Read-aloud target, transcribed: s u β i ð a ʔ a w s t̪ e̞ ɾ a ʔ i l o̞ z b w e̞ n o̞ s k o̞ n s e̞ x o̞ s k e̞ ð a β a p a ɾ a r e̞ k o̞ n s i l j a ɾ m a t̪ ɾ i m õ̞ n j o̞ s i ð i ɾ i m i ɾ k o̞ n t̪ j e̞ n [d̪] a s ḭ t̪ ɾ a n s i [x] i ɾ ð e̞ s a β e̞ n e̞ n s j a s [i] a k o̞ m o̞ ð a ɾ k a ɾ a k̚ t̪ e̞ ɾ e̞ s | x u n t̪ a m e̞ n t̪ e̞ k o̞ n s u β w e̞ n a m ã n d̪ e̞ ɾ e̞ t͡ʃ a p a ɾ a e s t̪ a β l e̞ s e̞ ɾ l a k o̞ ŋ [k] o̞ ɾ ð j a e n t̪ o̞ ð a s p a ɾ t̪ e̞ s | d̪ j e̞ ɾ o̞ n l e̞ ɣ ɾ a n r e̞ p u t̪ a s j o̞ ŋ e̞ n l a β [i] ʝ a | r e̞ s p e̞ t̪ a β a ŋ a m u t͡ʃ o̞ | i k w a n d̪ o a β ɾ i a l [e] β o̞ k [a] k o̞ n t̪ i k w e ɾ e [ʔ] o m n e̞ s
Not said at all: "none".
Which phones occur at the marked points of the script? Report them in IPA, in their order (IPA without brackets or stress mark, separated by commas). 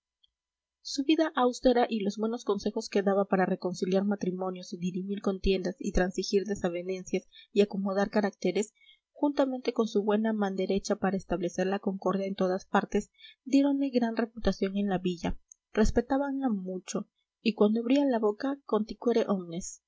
d̪, x, i, k, i, a, a, ʔ